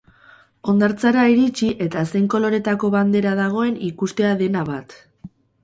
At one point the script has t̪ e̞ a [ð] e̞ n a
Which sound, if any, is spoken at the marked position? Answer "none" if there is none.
ð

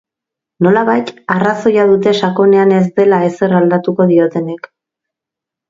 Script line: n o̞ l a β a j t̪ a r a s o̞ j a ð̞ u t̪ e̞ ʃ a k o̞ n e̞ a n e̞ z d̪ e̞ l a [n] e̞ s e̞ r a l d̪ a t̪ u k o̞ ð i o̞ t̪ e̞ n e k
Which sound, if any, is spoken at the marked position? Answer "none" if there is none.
none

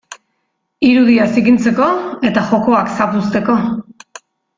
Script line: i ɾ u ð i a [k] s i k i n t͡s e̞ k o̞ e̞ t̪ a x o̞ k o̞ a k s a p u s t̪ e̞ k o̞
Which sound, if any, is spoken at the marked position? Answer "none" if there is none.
none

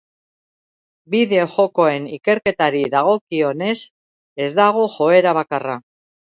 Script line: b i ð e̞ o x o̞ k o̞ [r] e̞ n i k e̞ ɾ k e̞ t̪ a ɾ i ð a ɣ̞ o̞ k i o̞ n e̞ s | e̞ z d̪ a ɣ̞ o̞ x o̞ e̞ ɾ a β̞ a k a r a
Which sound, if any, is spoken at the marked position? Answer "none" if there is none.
none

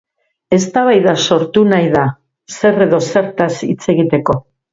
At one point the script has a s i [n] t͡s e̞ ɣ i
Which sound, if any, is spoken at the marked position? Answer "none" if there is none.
none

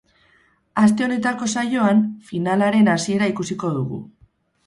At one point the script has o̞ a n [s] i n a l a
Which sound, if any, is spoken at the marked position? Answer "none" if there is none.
f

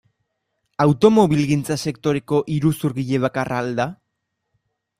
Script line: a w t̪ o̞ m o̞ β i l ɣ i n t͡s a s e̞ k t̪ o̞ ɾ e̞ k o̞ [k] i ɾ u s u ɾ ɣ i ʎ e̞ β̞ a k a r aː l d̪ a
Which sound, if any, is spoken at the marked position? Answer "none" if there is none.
ʔ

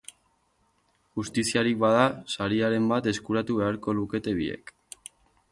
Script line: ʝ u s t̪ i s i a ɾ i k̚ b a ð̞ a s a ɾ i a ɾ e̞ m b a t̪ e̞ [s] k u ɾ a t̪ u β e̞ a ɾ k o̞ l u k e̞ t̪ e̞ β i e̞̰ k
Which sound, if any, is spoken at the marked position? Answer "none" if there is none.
s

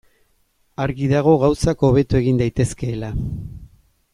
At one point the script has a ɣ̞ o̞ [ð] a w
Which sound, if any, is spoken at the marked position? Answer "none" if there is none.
ɣ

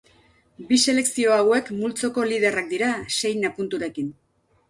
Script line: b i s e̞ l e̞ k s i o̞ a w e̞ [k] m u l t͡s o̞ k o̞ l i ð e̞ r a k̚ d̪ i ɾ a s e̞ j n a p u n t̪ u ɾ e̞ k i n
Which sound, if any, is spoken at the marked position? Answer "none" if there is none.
k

